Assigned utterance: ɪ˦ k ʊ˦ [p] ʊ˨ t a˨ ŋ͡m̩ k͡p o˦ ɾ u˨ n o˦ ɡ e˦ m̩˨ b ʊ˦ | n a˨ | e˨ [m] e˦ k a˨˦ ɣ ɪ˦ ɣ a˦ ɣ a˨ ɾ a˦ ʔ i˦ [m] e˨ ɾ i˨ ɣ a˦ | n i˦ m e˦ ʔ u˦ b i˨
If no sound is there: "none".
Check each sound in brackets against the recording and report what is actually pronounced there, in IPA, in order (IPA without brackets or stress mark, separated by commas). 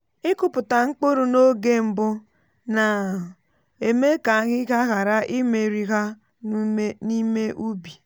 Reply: p, m, m